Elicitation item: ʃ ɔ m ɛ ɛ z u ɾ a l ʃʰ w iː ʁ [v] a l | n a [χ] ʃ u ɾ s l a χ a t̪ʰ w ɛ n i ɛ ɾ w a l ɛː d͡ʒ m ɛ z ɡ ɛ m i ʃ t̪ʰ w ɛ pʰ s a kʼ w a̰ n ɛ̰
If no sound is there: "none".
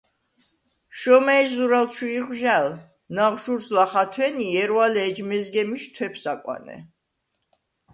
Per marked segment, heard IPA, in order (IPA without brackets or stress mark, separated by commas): ʒ, ʁ